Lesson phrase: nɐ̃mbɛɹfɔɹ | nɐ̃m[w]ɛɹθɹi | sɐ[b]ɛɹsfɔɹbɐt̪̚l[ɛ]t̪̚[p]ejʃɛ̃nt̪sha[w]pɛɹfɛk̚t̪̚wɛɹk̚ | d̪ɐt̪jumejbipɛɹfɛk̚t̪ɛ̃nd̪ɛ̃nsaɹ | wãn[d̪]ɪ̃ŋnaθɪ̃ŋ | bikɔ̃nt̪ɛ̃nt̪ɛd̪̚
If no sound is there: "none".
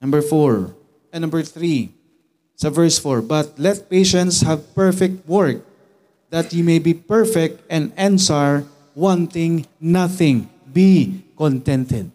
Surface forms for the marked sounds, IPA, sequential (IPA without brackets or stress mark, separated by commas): b, v, ɛ, p, v, t̪